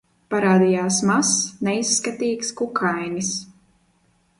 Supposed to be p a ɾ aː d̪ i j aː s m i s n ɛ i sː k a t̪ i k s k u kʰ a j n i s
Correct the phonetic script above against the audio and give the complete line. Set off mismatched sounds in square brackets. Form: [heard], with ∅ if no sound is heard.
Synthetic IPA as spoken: p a ɾ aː d̪ i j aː s m [a] s n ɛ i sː k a t̪ [iː] k s k u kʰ a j n i s